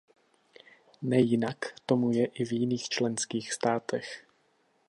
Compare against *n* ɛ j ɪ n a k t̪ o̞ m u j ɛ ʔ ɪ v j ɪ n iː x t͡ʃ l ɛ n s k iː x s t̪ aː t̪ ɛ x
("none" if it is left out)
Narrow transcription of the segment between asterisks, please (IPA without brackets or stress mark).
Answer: n